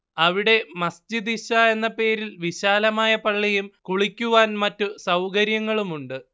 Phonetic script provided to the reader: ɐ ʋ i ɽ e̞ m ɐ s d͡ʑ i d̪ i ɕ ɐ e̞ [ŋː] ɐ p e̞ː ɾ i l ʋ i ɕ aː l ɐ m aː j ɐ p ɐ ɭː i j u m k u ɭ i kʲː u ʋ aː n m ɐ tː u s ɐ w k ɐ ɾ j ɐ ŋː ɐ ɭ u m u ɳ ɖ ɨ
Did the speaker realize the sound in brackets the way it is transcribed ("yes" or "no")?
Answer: no